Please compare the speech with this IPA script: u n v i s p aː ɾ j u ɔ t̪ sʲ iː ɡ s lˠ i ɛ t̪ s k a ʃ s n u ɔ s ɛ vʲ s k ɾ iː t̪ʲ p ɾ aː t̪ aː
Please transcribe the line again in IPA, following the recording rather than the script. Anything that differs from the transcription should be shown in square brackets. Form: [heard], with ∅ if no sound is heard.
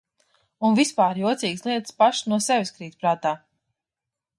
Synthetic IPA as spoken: u n v i s p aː ɾ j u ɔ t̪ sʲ iː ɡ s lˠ i ɛ t̪ s [p] a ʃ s n u ɔ s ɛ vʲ s k ɾ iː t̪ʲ p ɾ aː t̪ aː